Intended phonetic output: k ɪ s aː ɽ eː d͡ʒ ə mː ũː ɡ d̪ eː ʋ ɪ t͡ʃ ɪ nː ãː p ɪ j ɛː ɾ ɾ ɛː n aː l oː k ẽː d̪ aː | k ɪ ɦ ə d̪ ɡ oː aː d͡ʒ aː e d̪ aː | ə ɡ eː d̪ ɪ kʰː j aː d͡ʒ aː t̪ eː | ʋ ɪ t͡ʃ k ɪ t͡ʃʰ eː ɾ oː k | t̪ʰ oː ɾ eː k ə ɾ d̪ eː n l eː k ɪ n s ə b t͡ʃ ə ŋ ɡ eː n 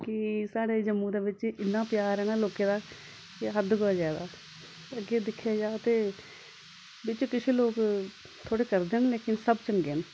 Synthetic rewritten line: k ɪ s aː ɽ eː d͡ʒ ə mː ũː d̪ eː ʋ ɪ t͡ʃ ɪ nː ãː p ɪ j aː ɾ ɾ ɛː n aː l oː k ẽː d̪ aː | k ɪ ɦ ə d̪ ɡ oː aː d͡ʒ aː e d̪ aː | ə ɡ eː d̪ ɪ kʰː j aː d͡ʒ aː t̪ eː | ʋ ɪ t͡ʃ k ɪ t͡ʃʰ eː l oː k | t̪ʰ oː ɽ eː k ə ɾ d̪ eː n l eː k ɪ n s ə b t͡ʃ ə ŋ ɡ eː n